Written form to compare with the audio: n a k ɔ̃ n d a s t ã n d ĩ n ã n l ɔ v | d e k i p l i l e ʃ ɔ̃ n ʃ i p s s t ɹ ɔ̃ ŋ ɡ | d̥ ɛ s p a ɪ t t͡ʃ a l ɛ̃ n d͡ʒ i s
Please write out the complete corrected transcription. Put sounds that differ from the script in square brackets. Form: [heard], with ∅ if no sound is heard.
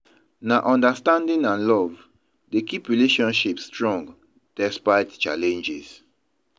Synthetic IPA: n a [ʔ] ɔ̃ n d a s t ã n d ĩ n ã n l ɔ v | d e k i p [ɹ] i l e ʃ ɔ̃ n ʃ i p s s t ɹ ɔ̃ ŋ ɡ | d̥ ɛ s p a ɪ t t͡ʃ a l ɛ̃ n d͡ʒ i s